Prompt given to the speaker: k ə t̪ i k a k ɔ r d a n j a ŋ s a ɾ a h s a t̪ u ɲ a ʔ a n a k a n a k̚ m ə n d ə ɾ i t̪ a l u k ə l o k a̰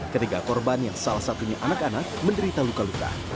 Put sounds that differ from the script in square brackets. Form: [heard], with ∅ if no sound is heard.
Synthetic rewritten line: k ə t̪ i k a k ɔ r [b] a n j a ŋ s a [l] a h s a t̪ u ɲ a ʔ a n a k a n a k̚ m ə n d ə ɾ i t̪ a l u k [a] l [u] k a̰